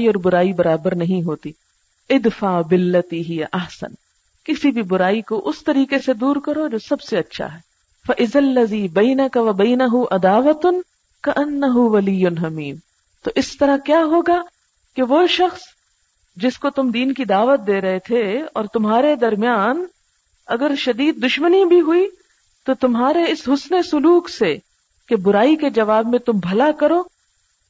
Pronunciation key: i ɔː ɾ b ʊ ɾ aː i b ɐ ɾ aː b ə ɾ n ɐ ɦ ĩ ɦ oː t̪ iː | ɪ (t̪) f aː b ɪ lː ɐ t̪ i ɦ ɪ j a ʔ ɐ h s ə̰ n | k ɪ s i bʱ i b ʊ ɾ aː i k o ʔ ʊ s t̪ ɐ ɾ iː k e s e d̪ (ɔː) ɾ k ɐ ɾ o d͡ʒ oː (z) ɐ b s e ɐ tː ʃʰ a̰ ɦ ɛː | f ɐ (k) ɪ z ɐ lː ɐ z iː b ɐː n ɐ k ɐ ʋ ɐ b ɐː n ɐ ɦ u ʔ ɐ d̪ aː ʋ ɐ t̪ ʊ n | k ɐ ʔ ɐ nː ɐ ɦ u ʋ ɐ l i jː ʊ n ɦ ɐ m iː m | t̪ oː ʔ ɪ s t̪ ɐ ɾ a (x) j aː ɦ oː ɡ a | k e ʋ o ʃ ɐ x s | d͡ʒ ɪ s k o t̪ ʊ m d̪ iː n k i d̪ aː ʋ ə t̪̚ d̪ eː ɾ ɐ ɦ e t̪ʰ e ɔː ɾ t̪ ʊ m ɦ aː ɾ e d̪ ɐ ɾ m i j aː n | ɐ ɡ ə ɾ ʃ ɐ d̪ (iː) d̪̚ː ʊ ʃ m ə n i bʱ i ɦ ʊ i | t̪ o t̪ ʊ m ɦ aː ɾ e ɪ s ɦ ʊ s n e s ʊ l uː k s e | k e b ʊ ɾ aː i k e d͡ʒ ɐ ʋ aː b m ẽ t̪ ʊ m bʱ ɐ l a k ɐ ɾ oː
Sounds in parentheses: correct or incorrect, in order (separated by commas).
incorrect, incorrect, incorrect, incorrect, incorrect, correct